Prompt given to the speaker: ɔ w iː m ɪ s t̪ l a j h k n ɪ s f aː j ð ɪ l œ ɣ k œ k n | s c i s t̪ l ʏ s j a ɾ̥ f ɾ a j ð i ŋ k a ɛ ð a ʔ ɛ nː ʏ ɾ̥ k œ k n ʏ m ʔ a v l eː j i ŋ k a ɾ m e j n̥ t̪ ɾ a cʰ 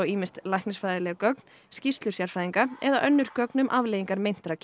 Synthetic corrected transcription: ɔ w iː m ɪ s t̪ l a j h k n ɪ s f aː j ð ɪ l ɛ ɣ k œ k n | s c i s t̪ l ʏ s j a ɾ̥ f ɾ a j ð i ŋ k a ɛ ð a ʔ œ nː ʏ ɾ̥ k œ k n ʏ m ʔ a v l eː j i ŋ k a ɾ m e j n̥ t̪ ɾ a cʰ